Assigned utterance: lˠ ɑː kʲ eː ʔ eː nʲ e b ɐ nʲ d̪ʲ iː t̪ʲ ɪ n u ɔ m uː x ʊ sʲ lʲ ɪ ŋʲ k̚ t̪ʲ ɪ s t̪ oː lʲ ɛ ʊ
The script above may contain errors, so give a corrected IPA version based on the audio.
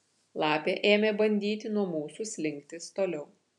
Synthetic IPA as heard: lˠ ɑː pʲ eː ʔ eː mʲ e b ɐ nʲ d̪ʲ iː t̪ʲ ɪ n u ɔ m uː s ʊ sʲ lʲ ɪ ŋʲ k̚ t̪ʲ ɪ s t̪ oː lʲ ɛ ʊ